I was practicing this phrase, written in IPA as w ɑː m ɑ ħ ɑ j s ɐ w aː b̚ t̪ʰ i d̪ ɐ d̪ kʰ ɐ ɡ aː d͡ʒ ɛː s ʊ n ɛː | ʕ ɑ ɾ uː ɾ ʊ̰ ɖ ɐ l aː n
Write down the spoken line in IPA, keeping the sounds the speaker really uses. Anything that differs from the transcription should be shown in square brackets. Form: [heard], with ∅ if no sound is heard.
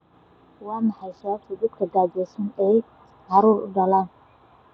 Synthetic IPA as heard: w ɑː m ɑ ħ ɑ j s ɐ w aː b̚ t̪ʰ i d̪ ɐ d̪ kʰ ɐ ɡ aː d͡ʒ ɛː s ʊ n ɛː | ʕ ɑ ɾ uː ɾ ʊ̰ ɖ ɐ l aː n